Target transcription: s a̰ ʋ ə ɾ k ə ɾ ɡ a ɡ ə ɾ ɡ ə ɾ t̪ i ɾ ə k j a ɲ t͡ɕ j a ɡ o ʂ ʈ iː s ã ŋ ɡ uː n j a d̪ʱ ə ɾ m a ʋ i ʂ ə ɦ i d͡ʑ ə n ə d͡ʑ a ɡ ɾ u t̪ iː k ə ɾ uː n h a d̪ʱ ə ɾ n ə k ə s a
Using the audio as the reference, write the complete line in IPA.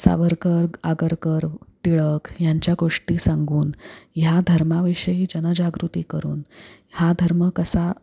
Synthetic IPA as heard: s a̰ ʋ ə ɾ k ə ɾ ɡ a ɡ ə ɾ k ə ɾ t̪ i ɭ ə k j a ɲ t͡ɕ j a ɡ o ʂ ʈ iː s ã ŋ ɡ uː n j a d̪ʱ ə ɾ m a ʋ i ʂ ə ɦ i d͡ʑ ə n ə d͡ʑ a ɡ ɾ u t̪ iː k ə ɾ uː n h a d̪ʱ ə ɾ m ə k ə s a